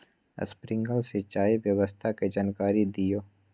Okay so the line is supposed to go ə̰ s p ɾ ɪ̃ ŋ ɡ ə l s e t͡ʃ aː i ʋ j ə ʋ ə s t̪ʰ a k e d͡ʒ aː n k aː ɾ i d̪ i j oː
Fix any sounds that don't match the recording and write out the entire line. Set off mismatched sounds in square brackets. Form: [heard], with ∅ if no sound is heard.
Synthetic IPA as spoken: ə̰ s p ɾ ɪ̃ ŋ ɡ ə l s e t͡ʃ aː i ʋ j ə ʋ ə s t̪ʰ a k e d͡ʒ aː n k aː ɾ i d̪ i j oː